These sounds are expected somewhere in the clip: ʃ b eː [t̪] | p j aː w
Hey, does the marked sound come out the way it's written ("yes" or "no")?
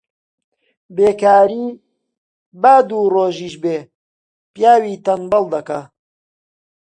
no